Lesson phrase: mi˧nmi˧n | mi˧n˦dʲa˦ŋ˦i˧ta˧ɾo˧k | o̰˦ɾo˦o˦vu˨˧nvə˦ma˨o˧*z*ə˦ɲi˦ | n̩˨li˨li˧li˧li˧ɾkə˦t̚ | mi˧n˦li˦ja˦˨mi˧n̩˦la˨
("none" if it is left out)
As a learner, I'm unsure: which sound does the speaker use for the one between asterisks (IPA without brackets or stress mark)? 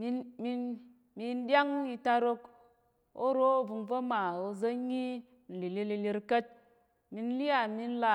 z